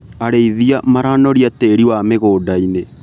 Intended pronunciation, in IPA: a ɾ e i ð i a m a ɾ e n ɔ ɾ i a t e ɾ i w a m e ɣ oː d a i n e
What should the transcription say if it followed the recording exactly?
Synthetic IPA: a ɾ e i ð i a m a ɾ a n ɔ ɾ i a t e ɾ i w a m e ɣ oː d a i n e